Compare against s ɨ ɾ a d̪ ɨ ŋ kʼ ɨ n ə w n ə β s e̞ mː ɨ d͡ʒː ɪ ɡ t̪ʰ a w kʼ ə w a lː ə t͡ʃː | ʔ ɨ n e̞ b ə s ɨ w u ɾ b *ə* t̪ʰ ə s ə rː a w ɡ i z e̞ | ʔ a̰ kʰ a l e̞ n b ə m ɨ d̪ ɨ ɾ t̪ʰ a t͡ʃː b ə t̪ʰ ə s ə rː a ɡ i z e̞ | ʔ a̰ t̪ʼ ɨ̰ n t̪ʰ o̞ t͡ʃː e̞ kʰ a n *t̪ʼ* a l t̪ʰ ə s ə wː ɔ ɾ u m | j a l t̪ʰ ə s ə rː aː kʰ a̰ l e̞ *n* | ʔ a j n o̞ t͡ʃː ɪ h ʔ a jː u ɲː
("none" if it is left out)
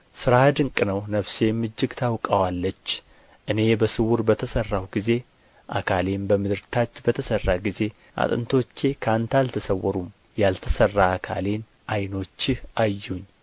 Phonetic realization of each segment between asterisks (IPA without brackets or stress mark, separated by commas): ə, t̪, n